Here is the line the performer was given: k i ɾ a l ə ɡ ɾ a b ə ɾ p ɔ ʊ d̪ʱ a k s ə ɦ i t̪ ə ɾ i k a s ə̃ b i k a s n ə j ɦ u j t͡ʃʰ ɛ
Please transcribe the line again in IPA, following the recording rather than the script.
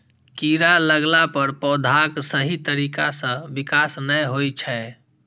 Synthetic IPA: k i ɾ a l ə ɡ l a p ə ɾ p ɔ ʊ d̪ʱ a k s ə ɦ i t̪ ə ɾ i k a s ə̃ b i k a s n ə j ɦ o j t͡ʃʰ ɛ